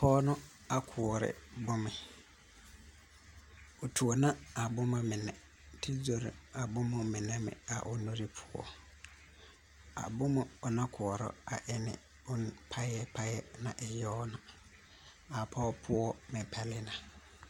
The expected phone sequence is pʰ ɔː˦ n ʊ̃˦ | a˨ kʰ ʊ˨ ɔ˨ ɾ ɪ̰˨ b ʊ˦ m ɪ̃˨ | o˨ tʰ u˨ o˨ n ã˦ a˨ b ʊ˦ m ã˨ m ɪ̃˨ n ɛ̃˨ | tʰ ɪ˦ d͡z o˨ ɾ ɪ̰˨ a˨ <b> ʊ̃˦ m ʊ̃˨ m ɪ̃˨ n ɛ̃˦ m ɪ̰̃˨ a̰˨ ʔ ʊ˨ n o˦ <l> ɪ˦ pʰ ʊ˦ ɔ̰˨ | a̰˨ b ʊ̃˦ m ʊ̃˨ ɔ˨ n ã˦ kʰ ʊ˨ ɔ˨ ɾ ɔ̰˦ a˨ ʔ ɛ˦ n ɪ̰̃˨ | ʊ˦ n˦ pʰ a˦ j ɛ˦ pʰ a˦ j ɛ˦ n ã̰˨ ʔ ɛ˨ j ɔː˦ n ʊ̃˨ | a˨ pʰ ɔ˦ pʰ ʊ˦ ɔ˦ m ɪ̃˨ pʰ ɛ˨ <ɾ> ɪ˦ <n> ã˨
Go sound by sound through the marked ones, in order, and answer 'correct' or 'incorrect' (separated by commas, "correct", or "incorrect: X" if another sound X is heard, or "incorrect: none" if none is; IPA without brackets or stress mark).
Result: correct, incorrect: ɾ, incorrect: l, correct